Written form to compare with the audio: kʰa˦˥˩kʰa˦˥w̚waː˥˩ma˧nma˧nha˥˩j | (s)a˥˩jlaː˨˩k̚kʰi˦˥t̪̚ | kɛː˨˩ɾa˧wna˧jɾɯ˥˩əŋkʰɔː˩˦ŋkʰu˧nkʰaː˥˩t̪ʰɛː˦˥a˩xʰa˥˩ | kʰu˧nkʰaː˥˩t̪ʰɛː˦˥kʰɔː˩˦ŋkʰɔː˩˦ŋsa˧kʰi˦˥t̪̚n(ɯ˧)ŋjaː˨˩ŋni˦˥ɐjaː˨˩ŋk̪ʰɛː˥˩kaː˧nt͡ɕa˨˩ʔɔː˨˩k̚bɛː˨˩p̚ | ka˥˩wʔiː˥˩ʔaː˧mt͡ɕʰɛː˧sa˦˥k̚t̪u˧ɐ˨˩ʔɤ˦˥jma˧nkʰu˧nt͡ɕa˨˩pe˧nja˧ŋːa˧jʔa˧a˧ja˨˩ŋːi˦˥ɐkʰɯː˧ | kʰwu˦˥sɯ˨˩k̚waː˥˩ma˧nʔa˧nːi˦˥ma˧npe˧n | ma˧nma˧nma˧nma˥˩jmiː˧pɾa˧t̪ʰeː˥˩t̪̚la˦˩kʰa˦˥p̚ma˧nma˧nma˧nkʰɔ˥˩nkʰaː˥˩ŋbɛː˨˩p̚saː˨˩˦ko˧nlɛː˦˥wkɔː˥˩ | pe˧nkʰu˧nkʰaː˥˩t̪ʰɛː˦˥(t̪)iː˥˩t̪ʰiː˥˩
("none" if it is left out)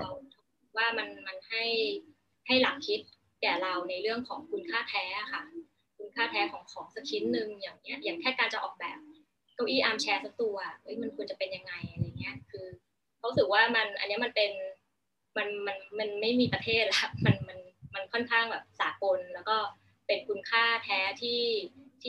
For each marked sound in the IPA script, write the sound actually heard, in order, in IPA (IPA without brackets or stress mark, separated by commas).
h, ɯ˧, t̪ʰ